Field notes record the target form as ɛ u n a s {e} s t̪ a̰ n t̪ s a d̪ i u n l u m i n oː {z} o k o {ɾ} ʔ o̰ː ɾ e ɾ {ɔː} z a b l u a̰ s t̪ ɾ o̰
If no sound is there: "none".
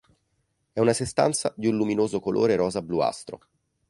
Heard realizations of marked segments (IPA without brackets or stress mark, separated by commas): e, z, l, ɔː